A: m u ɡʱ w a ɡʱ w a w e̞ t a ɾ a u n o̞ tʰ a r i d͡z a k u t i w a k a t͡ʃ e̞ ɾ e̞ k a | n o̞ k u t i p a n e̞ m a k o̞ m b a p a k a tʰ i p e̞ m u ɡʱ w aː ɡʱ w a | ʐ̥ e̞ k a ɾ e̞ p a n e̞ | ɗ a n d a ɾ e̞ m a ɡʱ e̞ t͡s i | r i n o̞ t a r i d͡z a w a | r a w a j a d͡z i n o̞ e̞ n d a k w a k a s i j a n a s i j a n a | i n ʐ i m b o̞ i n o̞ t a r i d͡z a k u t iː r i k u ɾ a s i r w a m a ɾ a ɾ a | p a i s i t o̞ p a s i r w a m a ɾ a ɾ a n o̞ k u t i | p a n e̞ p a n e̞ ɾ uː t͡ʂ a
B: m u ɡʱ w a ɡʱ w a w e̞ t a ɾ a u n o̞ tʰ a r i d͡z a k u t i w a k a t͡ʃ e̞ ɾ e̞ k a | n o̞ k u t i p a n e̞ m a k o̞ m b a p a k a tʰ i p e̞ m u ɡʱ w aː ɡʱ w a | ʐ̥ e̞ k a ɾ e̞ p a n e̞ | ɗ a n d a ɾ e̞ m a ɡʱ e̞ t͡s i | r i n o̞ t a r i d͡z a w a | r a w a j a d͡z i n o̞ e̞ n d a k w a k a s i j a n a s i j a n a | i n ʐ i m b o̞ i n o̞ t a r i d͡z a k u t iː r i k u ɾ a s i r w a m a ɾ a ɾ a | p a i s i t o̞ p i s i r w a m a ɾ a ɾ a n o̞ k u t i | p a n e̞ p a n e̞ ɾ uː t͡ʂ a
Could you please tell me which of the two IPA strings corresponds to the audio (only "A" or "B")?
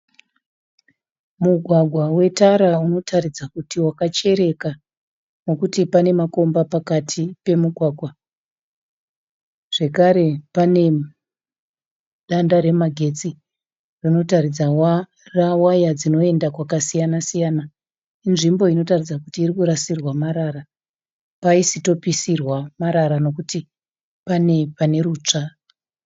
B